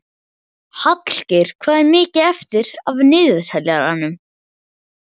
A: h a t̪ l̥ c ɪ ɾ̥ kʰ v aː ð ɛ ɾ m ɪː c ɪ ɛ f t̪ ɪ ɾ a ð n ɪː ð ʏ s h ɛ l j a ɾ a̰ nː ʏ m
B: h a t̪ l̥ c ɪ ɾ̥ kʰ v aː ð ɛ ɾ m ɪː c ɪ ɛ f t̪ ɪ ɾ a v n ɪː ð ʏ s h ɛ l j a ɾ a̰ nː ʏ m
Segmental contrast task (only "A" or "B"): B